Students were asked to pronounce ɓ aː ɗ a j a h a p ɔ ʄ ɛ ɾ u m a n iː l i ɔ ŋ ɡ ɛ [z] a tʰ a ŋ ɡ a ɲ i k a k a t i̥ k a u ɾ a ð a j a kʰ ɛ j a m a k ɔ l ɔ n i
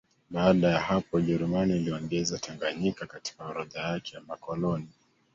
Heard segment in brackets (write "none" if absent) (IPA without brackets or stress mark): z